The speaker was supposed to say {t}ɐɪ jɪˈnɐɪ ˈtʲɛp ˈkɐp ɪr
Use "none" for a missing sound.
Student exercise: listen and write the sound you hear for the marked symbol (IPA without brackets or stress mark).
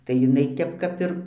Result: t